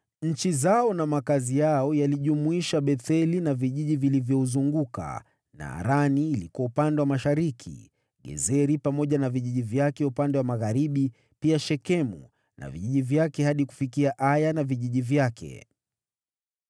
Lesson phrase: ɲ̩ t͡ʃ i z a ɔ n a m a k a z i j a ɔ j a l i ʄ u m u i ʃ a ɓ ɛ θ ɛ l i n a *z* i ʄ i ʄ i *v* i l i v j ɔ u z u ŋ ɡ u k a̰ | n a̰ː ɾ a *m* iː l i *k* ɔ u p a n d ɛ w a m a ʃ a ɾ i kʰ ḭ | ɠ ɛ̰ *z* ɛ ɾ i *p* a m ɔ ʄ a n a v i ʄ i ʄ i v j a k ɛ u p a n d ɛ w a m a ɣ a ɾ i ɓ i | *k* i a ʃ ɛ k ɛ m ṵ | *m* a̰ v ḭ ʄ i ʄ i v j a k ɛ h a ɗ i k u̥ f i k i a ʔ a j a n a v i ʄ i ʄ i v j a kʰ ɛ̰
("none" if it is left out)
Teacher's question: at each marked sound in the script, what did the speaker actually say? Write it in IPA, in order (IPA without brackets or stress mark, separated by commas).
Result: v, v, n, k, z, p, p, n